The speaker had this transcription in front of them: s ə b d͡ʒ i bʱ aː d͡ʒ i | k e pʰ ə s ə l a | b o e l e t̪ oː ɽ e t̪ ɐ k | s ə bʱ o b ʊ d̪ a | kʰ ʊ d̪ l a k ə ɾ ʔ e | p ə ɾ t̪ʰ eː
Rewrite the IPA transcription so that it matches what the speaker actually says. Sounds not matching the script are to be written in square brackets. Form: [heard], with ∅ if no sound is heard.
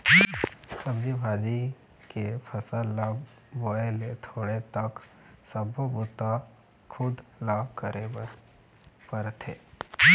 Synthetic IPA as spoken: s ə b d͡ʒ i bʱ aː d͡ʒ i | k e pʰ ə s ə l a | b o e l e [t̪ʰ] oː ɽ e t̪ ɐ k | s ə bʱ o b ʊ [t̪] a | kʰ ʊ d̪ l a k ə ɾ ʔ e | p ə ɾ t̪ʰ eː